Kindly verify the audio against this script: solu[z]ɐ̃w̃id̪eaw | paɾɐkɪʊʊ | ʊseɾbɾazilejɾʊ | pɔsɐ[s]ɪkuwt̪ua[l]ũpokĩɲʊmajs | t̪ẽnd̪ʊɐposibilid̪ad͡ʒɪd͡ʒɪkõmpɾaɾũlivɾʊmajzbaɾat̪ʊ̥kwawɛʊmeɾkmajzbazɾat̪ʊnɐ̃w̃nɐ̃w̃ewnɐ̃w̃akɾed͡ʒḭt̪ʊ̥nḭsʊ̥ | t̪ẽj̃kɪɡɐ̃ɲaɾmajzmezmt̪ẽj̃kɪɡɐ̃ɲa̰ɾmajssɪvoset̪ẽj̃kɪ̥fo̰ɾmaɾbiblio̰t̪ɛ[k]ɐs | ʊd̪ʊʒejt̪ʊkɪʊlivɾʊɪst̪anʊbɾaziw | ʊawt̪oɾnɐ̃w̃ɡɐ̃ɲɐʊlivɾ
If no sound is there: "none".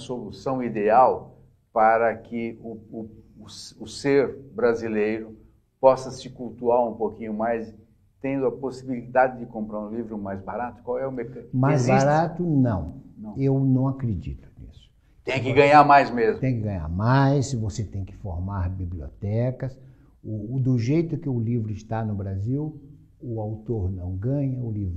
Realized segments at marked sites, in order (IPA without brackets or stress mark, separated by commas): s, s, ɾ, k